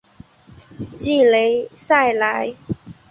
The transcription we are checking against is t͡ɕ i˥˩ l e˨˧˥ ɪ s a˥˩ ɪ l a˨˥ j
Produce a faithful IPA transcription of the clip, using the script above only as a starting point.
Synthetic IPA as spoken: t͡ɕ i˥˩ l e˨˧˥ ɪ s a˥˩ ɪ l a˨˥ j